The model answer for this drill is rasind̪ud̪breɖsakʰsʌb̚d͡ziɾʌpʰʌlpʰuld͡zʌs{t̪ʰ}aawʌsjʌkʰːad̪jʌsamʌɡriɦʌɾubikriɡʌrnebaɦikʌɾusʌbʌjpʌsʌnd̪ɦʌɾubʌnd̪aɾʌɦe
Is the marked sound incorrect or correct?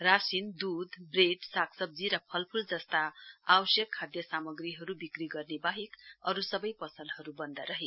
incorrect